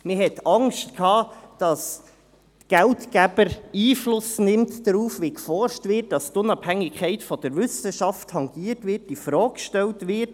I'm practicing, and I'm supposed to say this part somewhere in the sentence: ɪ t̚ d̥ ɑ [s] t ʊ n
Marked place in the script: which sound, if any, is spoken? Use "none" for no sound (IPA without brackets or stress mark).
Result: s